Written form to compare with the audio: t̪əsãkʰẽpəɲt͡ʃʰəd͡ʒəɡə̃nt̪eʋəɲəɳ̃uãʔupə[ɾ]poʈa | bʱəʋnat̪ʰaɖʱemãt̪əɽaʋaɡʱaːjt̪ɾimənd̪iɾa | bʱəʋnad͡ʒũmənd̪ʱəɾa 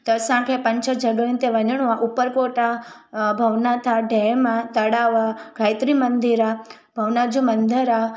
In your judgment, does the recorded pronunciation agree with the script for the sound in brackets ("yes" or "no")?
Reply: yes